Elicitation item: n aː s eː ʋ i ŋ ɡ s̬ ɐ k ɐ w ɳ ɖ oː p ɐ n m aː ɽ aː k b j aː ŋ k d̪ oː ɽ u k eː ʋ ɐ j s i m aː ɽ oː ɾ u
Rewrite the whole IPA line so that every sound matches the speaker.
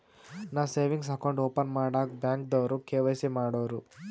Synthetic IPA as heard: n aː s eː ʋ i ŋ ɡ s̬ ɐ k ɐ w ɳ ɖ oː p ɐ n m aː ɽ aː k b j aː ŋ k d̪ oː ɾ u k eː ʋ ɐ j s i m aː ɽ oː ɾ u